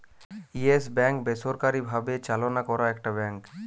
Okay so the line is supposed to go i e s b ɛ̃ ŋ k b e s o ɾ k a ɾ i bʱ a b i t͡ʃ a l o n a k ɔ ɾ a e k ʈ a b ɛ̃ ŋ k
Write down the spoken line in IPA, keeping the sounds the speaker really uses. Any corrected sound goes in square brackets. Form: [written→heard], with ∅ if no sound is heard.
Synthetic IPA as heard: i e s b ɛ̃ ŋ k b e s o ɾ k a ɾ i bʱ a b [i→e] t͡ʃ a l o n a k ɔ ɾ a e k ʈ a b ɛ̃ ŋ k